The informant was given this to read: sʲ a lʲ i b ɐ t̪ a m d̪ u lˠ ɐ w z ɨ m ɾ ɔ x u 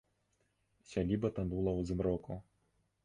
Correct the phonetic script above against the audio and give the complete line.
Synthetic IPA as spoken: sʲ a lʲ i b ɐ t̪ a n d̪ u lˠ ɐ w z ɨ m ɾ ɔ k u

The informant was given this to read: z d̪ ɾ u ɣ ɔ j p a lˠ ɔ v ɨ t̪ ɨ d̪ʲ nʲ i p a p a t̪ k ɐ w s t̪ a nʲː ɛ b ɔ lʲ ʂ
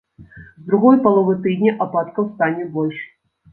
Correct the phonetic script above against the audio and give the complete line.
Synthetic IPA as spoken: z d̪ ɾ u ɣ ɔ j p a lˠ ɔ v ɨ t̪ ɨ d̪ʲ nʲ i ʔ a p a t̪ k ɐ w s t̪ a nʲ ɛ b ɔ lʲ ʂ

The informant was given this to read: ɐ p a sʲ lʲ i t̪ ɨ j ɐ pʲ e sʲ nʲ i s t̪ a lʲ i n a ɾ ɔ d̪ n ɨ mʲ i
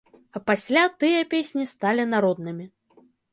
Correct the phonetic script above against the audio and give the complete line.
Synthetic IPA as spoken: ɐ p a sʲ lʲ a t̪ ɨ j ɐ pʲ e sʲ nʲ i s t̪ a lʲ i n a ɾ ɔ d̪ n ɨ mʲ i

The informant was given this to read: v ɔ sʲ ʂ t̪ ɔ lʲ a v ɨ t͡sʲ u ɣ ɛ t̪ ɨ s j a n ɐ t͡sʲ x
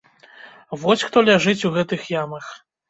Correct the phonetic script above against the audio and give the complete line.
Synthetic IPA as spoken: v ɔ sʲ x t̪ ɔ lʲ a ʐ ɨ t͡sʲ u ɣ ɛ t̪ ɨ x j a m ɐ x

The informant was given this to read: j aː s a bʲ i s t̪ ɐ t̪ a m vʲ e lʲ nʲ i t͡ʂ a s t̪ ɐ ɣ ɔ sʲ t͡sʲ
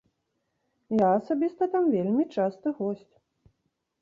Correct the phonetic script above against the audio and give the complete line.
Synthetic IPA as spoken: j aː s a bʲ i s t̪ ɐ t̪ a m vʲ e lʲ mʲ i t͡ʂ a s t̪ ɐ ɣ ɔ sʲ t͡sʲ

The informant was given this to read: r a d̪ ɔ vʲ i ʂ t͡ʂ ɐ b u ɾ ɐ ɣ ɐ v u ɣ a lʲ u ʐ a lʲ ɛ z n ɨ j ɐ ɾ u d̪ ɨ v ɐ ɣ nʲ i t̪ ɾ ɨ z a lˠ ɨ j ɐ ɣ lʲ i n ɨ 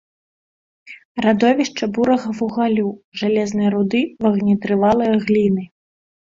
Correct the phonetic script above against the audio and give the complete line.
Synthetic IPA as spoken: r a d̪ ɔ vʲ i ʂ t͡ʂ ɐ b u ɾ ɐ ɣ ɐ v u ɣ a lʲ u ʐ a lʲ ɛ z n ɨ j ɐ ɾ u d̪ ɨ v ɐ ɣ nʲ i t̪ ɾ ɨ v a lˠ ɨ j ɐ ɣ lʲ i n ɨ

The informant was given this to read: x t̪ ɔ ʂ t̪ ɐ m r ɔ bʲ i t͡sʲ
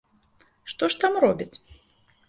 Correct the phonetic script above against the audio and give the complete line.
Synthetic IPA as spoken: ʂ t̪ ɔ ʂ t̪ a m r ɔ bʲ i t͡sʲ

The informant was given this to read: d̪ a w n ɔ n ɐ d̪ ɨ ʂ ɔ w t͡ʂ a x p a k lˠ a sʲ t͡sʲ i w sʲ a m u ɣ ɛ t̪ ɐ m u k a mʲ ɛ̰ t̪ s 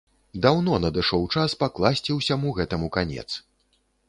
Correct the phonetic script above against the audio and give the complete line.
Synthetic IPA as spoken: d̪ a w n ɔ n ɐ d̪ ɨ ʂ ɔ w t͡ʂ a s p a k lˠ a sʲ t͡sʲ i w sʲ a m u ɣ ɛ t̪ ɐ m u k a nʲ ɛ̰ t̪ s

